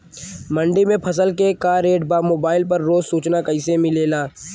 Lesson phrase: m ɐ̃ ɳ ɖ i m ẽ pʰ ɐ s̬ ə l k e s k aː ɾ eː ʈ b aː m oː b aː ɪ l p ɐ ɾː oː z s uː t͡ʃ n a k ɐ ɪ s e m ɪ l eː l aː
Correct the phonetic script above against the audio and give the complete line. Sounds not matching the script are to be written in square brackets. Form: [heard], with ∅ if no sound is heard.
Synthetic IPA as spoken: m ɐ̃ ɳ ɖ i m ẽ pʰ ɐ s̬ ə l k e [∅] k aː ɾ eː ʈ b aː m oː b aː ɪ l p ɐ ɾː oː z s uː t͡ʃ n a k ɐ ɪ s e m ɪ l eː l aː